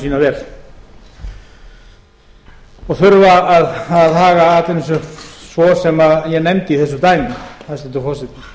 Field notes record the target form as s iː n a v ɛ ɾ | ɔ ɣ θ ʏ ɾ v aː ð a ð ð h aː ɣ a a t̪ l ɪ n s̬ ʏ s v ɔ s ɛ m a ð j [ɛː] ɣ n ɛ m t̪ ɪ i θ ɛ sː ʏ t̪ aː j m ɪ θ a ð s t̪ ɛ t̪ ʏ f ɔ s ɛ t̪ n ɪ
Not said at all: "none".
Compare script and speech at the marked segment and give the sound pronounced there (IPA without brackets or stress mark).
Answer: ɛ